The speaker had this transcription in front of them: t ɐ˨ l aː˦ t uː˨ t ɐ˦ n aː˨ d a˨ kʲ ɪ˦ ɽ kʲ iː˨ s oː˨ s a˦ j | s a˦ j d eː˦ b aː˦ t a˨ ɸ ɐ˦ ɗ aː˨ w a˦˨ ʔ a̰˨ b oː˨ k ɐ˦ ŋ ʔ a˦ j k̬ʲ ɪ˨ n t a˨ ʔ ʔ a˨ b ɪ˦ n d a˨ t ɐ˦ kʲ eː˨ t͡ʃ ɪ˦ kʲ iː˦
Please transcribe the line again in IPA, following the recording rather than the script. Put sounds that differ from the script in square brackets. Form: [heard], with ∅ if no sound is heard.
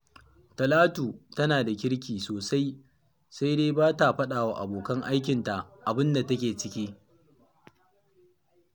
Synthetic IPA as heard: t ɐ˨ l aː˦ t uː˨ t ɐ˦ n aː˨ d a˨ kʲ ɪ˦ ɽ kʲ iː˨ s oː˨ s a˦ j | s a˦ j d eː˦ b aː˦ t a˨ ɸ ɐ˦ ɗ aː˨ w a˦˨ ʔ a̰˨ b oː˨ k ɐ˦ ŋ ʔ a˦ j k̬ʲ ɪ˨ n t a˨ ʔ ʔ a˨ b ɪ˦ n d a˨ t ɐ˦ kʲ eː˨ t͡ʃ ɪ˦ kʲ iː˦

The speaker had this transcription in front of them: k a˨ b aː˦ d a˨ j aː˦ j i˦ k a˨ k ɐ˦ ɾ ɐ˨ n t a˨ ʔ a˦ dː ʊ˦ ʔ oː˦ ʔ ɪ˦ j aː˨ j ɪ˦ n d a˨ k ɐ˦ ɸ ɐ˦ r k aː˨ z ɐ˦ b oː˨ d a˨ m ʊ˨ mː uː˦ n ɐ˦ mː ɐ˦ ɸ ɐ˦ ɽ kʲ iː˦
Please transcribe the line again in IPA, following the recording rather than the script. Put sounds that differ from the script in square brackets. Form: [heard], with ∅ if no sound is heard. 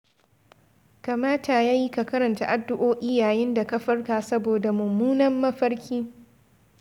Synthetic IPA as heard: k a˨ [m] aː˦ [t] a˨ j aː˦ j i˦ k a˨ k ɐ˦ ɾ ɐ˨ n t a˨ ʔ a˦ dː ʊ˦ ʔ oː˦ ʔ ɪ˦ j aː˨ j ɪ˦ n d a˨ k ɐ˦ ɸ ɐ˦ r k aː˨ [s] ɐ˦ b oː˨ d a˨ m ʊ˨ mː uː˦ n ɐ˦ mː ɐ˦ ɸ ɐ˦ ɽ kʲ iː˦

